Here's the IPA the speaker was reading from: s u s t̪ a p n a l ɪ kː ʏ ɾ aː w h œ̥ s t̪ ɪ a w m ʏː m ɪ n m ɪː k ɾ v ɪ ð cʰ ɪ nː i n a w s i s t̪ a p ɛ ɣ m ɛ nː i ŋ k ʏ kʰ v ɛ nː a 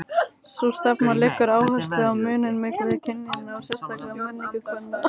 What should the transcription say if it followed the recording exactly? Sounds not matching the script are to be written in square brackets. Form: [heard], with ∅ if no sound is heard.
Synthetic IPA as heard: s u s t̪ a p n a l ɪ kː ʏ ɾ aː w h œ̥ s t̪ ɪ a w m ʏː [n] ɪ n m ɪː k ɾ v ɪ ð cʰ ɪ nː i n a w s [ɛ] s t̪ a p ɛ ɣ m ɛ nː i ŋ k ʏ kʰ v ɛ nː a